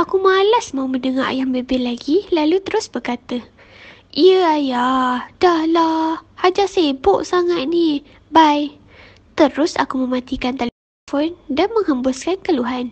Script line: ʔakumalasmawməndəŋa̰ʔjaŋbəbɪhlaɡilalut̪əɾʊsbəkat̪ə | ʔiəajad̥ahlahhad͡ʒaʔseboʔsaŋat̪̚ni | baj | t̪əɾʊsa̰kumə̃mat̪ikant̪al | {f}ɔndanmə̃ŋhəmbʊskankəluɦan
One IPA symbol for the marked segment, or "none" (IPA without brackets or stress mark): f